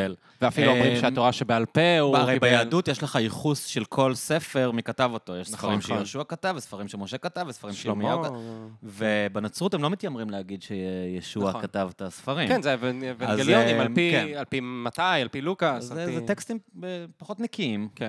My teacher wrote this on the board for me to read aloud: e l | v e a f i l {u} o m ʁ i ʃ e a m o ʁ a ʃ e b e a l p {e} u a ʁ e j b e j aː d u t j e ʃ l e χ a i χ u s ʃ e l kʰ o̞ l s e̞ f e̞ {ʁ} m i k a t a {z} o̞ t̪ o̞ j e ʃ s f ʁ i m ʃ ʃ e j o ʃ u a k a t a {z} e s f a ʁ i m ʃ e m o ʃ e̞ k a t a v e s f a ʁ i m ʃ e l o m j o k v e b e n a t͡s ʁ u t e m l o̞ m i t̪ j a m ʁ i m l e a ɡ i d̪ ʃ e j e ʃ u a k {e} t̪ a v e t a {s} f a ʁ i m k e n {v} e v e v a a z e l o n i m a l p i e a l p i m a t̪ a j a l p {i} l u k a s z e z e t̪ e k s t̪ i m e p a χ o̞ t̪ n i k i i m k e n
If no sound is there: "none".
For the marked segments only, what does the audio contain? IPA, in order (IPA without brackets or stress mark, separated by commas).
u, e, ʁ, v, v, a, s, z, i